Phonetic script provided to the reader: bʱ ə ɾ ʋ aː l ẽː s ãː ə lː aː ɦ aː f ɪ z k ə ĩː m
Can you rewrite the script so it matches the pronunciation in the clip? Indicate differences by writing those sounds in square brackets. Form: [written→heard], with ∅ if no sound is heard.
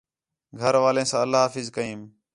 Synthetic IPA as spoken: [bʱ→ɡʱ] ə ɾ ʋ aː l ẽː s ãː ə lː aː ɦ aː f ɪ z k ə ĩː m